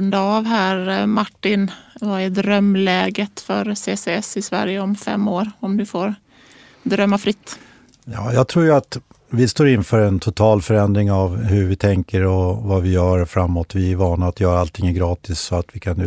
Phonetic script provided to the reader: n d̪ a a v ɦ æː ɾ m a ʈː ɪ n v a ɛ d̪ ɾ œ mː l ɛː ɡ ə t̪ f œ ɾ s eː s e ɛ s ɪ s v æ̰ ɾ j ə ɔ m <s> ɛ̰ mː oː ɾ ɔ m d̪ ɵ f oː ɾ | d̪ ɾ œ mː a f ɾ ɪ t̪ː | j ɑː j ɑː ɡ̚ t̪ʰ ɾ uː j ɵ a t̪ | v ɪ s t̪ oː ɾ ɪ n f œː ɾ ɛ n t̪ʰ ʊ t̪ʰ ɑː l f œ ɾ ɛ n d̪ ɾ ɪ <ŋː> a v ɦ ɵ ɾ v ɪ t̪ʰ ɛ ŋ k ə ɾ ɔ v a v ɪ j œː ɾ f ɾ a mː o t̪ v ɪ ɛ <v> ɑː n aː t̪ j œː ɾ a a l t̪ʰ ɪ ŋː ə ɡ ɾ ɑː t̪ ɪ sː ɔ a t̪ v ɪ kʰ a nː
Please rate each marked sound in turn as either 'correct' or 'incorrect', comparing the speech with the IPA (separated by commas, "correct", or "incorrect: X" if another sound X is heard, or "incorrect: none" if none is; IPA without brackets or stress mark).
incorrect: f, incorrect: ŋ, correct